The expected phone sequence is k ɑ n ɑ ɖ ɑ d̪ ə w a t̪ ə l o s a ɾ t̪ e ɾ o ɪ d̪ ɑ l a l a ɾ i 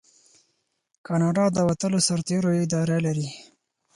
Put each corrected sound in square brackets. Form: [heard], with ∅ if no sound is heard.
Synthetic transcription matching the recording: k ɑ n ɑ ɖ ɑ d̪ ə w a t̪ ə l o s a ɾ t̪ e ɾ o ɪ d̪ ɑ [ɾ] a l a ɾ i